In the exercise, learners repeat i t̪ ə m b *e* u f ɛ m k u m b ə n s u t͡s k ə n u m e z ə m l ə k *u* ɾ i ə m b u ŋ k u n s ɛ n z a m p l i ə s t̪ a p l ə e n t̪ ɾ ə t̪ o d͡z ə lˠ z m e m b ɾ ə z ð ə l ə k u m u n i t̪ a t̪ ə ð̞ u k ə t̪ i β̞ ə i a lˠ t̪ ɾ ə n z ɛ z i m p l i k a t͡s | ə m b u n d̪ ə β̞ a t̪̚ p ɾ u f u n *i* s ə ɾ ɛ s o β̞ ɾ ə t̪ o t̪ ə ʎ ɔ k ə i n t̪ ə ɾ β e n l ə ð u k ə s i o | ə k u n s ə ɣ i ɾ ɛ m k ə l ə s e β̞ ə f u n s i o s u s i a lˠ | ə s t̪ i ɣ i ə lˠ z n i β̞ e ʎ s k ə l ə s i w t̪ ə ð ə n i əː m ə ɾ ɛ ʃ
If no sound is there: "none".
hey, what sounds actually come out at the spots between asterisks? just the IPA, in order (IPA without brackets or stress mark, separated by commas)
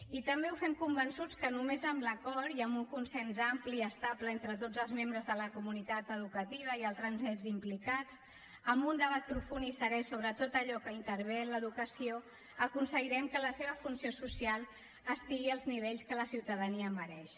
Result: e, ɔ, i